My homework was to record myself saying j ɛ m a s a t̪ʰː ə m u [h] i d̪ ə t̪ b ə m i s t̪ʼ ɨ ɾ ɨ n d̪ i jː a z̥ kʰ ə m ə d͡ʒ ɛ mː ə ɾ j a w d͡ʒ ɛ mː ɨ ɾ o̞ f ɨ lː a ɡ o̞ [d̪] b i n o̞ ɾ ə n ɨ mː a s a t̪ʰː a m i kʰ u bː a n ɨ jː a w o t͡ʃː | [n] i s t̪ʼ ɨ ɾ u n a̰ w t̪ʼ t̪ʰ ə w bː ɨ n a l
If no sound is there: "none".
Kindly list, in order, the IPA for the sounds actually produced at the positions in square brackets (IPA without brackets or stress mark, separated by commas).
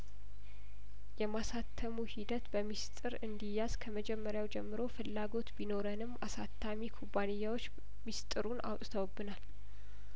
h, t̪, m